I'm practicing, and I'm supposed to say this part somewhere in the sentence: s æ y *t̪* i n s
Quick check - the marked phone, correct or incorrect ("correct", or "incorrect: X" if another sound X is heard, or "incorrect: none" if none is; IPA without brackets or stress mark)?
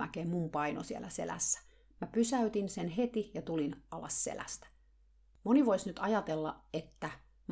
correct